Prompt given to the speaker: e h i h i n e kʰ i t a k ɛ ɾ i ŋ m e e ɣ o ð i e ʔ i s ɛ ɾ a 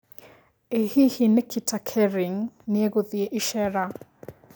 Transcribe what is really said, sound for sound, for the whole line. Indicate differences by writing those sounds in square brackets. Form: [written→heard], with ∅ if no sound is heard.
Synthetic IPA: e h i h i n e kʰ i t a [k→kʰ] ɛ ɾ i ŋ [m→n] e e ɣ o ð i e ʔ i [s→ʃ] ɛ ɾ a